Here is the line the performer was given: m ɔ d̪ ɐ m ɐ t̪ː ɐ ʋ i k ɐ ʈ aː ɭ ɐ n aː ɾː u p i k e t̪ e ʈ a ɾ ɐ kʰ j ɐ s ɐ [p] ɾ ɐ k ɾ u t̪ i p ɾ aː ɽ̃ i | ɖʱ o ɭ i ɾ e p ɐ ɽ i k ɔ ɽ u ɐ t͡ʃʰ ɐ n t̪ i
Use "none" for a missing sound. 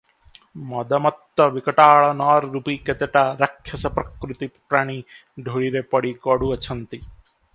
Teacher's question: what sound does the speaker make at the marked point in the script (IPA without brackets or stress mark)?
p